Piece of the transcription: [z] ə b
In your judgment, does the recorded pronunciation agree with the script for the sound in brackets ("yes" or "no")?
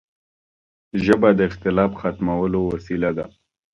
no